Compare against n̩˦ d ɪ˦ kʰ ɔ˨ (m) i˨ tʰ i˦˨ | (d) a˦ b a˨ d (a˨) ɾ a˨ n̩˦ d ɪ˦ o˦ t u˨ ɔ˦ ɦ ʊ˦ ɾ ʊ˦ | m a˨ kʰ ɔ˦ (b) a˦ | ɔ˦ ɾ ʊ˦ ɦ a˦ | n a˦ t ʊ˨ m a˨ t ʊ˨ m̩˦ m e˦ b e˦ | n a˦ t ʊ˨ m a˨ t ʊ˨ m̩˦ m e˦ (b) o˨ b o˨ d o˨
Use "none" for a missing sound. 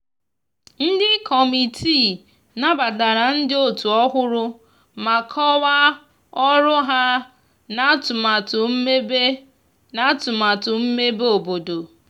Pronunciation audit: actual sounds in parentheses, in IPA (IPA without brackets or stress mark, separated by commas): m, n, a˨, w, b